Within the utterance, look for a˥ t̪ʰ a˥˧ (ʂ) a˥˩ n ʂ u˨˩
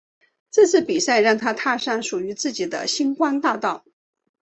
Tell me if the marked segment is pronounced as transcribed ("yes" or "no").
yes